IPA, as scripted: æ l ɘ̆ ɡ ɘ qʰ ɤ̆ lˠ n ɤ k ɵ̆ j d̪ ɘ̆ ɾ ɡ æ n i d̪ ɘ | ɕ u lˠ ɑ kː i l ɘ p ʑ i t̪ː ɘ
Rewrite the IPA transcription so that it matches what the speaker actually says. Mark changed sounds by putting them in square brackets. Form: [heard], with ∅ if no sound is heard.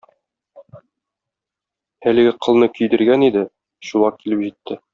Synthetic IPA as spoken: æ l ɘ̆ ɡ ɘ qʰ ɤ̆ lˠ n ɤ k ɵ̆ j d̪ ɘ̆ ɾ ɡ æ n i d̪ ɘ | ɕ u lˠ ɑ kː i l ɘ p ʑ i t̪ː ɘ